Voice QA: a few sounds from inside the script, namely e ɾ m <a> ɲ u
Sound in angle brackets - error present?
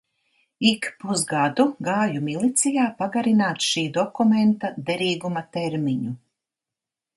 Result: yes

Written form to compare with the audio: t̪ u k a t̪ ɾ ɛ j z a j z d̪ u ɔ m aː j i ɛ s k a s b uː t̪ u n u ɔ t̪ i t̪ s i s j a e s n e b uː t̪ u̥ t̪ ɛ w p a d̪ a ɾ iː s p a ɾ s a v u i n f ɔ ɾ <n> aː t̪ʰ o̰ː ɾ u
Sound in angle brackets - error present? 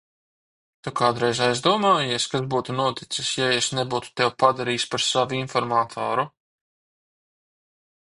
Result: yes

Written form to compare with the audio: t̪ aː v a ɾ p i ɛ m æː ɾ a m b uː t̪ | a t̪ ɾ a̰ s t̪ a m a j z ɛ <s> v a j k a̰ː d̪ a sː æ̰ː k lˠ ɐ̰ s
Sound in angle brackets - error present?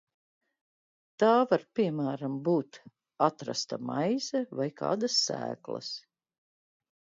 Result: yes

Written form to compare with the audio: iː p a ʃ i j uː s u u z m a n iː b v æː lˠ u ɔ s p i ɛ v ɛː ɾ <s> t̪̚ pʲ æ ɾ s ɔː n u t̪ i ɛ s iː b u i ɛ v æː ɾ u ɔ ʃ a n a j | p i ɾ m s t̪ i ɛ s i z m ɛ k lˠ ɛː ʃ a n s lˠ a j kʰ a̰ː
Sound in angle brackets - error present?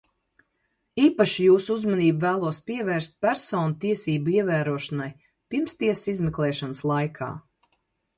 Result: no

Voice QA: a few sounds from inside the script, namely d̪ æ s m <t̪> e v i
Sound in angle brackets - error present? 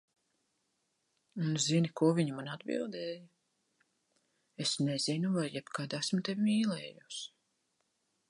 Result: no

